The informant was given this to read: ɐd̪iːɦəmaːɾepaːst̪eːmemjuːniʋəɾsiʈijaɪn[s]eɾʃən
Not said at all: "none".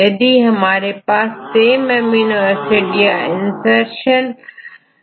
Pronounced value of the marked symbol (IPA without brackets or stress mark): s